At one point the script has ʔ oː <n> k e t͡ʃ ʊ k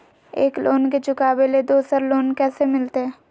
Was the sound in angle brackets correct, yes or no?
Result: yes